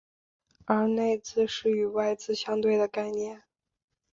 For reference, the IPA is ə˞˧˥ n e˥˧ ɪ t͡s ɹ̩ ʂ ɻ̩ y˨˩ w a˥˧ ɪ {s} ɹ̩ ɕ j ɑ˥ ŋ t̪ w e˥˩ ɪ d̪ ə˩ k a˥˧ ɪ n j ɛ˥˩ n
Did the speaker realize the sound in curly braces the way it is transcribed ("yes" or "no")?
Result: no